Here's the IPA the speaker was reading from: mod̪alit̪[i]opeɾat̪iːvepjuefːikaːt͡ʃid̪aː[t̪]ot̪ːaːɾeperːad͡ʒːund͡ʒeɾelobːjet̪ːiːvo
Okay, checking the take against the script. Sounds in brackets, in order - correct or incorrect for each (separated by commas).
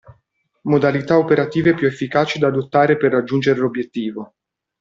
incorrect, incorrect